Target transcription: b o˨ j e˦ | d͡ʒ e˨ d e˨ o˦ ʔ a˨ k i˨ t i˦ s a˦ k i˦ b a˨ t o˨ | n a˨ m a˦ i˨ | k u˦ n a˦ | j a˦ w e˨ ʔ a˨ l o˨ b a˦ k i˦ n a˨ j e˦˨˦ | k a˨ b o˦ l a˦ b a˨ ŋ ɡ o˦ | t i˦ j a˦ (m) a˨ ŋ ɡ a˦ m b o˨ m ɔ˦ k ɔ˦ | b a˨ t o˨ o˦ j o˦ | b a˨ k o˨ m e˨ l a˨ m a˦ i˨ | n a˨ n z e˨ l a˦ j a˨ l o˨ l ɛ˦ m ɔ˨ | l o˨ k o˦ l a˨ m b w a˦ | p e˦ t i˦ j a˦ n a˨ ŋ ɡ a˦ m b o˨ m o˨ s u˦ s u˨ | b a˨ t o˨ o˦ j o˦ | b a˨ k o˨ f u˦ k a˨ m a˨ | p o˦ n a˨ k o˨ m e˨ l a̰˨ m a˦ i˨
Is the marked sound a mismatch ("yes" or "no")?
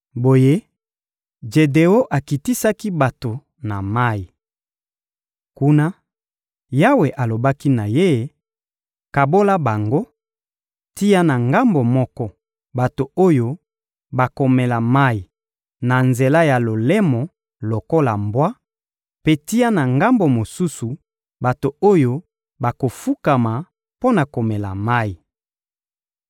yes